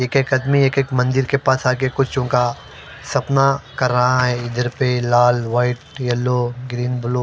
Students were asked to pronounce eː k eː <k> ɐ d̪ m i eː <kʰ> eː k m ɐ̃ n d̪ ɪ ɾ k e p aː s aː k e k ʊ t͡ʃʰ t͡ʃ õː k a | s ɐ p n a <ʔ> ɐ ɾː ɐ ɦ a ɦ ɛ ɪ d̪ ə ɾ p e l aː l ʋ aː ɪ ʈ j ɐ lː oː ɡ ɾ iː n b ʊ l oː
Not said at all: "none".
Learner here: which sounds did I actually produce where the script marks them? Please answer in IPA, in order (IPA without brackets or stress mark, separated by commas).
k, k, k